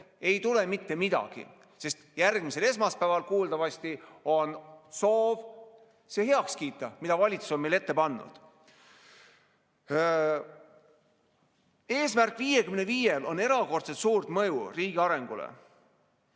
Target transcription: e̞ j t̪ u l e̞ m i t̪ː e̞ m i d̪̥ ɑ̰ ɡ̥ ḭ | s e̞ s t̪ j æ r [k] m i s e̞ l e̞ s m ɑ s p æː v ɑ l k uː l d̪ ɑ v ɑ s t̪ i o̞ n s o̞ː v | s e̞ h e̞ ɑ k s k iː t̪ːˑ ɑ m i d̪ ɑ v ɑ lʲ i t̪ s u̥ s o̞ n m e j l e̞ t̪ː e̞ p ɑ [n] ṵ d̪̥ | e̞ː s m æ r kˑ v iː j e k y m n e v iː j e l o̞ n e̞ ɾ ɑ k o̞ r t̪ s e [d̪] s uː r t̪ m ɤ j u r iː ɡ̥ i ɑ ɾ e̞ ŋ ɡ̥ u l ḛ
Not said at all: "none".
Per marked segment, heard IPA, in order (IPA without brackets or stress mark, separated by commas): ɡ, nː, t̪